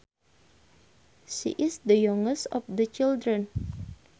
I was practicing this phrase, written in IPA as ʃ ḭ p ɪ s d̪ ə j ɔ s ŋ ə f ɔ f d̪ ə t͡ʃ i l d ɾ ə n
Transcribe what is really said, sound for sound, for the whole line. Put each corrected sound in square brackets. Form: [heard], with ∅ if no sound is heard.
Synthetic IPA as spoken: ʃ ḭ [ʔ] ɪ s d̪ ə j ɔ [∅] ŋ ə [s] ɔ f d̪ ə t͡ʃ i l d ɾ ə n